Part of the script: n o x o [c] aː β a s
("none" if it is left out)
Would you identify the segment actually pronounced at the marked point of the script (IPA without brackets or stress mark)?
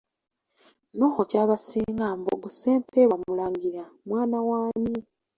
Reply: c